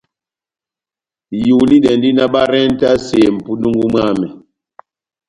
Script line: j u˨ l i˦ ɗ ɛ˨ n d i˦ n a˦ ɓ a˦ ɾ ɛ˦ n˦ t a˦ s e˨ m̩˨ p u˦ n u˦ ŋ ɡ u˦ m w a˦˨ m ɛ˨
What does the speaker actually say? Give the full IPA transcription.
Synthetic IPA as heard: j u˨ l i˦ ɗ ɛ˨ n d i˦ n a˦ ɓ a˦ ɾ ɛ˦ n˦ t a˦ s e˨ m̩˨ p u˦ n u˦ ŋ ɡ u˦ m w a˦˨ m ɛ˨